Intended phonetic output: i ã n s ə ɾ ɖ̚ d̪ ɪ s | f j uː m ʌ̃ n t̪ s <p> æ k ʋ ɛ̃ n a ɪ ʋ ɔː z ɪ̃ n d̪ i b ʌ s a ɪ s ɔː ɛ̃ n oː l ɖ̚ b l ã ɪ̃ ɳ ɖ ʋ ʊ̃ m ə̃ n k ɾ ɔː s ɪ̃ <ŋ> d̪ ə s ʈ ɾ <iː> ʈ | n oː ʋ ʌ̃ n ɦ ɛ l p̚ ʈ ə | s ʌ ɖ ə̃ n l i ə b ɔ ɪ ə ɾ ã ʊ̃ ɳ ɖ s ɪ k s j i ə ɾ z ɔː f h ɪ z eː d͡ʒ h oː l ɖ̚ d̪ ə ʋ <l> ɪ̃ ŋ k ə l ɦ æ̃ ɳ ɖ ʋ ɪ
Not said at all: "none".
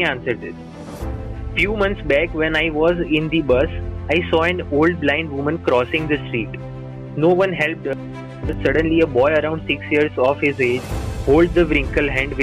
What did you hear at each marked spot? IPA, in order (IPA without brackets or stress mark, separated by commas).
b, ŋ, iː, ɾ